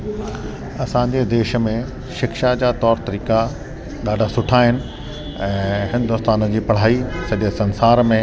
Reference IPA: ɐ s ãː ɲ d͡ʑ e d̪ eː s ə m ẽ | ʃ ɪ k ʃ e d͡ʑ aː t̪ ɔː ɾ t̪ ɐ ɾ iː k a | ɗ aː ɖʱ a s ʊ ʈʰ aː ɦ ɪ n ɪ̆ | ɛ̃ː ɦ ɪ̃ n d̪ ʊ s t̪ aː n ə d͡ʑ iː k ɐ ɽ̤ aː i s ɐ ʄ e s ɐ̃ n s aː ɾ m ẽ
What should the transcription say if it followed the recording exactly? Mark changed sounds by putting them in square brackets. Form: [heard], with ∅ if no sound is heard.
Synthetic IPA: ɐ s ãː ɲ d͡ʑ e d̪ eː [ʃ] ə m ẽ | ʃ ɪ k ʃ [a] d͡ʑ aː t̪ ɔː ɾ t̪ ɐ ɾ iː k a | ɗ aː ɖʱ a s ʊ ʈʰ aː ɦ ɪ n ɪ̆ | ɛ̃ː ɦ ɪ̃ n d̪ ʊ s t̪ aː n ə d͡ʑ iː [p] ɐ ɽ̤ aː i s ɐ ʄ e s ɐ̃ n s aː ɾ m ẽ